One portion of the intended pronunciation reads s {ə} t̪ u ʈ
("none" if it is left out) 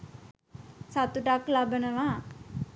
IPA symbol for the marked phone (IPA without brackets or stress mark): a